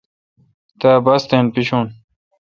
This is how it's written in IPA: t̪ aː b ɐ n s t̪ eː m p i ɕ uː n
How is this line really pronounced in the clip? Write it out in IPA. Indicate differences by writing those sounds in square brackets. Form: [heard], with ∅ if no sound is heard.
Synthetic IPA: t̪ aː b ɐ [∅] s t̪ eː [n] p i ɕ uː n